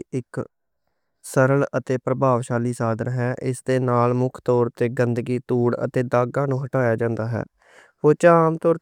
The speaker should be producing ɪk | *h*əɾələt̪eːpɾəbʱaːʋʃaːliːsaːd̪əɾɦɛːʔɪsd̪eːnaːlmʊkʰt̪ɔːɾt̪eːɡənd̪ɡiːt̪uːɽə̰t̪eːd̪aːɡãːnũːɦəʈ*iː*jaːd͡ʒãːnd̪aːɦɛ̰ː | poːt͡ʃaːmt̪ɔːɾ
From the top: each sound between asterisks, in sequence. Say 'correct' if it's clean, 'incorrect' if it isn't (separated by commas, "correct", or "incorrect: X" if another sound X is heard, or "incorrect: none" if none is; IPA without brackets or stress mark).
incorrect: s, incorrect: aː